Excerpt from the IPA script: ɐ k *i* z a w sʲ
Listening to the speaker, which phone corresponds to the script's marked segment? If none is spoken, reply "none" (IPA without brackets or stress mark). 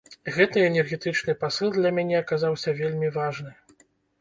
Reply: a